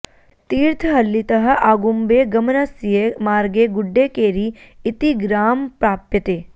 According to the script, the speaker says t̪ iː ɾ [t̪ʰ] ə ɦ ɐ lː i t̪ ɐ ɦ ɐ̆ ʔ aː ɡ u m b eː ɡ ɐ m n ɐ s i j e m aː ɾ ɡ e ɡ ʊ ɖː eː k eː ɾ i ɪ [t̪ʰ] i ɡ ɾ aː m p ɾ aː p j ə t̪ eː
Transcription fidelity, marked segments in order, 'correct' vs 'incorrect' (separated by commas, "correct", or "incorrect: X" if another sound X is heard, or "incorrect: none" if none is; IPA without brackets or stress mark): correct, incorrect: t̪